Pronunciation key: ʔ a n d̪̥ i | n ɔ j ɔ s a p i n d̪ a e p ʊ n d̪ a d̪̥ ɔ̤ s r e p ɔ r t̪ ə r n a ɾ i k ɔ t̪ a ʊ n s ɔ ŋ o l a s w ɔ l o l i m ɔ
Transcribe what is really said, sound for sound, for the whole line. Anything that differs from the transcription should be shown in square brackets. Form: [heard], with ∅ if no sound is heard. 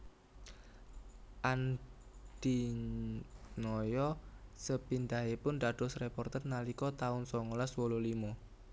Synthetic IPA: ʔ a n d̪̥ i | n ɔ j ɔ s [ə] p i n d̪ a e p ʊ n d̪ a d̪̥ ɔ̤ s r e p ɔ r t̪ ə r n a [l] i k ɔ t̪ a ʊ n s ɔ ŋ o l a s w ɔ l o l i m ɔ